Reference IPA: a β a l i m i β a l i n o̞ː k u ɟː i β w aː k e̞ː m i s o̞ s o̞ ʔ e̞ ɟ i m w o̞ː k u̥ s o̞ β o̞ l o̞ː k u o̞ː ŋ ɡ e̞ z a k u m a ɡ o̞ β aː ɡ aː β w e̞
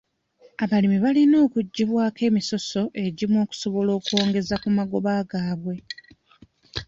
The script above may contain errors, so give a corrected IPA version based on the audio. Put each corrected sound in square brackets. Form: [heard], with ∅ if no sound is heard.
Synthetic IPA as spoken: a β a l i m i β a l i n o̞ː k u ɟː i β w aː k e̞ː m i s o̞ s o̞ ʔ e̞ ɟ i m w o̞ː k u̥ s o̞ β o̞ l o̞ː k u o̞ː ŋ ɡ e̞ z a k u m a ɡ o̞ β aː ɡ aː β w e̞